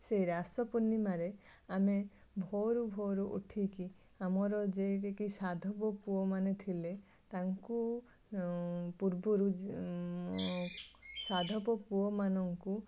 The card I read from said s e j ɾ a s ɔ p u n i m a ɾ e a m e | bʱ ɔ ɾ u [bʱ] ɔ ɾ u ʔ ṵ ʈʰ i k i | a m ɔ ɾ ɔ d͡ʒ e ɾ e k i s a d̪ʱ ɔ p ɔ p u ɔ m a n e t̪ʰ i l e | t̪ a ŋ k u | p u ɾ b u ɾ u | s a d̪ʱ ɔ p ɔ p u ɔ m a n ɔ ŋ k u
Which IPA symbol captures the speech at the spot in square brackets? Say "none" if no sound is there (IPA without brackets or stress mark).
bʱ